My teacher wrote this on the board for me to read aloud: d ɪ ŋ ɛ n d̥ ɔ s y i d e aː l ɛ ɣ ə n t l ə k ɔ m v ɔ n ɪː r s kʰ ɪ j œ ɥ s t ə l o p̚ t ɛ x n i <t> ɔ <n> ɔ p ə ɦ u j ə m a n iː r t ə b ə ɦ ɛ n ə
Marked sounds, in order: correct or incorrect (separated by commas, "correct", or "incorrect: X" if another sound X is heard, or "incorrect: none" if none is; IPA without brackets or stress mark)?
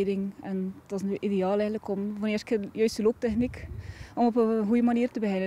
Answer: incorrect: k, incorrect: m